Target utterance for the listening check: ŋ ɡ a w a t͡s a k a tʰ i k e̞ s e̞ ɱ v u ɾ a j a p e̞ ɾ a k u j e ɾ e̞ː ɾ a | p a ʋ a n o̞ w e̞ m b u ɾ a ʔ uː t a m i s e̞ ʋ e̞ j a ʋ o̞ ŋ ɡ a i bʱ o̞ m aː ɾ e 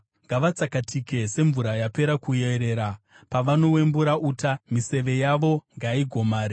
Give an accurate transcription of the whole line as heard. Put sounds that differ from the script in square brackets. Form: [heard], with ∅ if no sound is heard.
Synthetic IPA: ŋ ɡ a [ʋ] a t͡s a k a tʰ i k e̞ s e̞ ɱ v u ɾ a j a p e̞ ɾ a k u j e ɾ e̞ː ɾ a | p a ʋ a n o̞ w e̞ m b u ɾ a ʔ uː t a m i s e̞ ʋ e̞ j a ʋ o̞ ŋ ɡ a i [ɡʱ] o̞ m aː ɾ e